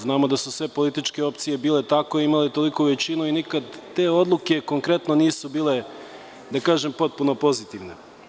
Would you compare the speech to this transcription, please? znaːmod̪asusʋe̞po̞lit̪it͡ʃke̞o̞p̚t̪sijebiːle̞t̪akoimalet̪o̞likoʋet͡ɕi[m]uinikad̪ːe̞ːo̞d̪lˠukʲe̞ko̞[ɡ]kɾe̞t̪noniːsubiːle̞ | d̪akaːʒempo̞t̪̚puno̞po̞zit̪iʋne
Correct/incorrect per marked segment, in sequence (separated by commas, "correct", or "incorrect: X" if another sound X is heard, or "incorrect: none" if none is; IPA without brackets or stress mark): incorrect: n, incorrect: ŋ